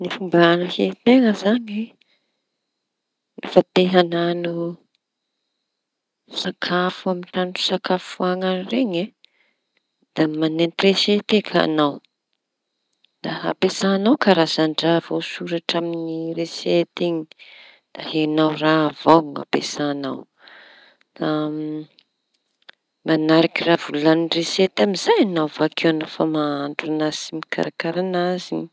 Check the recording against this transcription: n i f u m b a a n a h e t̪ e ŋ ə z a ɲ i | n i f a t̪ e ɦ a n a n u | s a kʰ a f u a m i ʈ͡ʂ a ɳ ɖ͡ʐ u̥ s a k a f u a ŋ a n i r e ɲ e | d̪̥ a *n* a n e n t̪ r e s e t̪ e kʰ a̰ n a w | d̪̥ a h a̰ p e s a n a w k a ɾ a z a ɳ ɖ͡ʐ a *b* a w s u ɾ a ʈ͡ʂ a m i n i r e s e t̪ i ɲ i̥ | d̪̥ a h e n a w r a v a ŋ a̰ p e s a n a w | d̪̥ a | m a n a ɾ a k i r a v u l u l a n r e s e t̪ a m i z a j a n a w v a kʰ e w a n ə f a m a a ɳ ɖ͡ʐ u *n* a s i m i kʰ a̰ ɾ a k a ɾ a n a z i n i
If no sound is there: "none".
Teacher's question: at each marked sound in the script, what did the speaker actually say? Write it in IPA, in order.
m, v, n

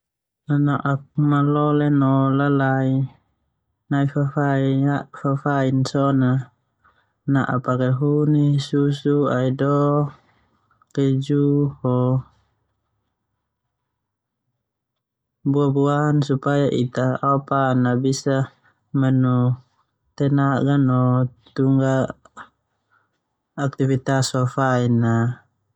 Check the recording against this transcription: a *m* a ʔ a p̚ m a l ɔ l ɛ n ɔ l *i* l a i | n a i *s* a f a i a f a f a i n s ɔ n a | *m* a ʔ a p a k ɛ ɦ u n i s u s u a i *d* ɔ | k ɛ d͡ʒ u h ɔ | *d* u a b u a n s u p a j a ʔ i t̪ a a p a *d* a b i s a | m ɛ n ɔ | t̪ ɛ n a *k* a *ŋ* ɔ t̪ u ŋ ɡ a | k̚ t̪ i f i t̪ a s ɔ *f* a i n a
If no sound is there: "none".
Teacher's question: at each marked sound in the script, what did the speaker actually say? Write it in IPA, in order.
n, a, f, n, d, b, n, ɡ, n, f

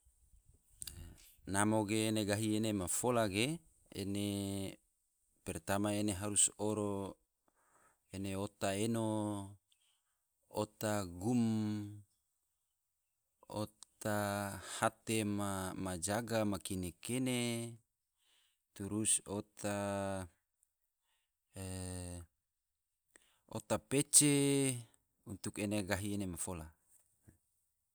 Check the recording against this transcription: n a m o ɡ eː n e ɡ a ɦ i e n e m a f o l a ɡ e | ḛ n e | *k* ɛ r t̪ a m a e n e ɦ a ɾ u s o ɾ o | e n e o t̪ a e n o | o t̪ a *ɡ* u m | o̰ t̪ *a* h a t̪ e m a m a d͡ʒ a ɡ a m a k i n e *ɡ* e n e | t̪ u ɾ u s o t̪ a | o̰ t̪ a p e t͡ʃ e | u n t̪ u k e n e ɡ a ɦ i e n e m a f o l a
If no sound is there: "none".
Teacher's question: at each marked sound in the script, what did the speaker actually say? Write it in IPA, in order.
p, ɡ, a, k

